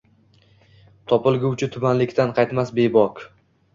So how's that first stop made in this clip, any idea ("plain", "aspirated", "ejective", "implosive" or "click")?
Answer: aspirated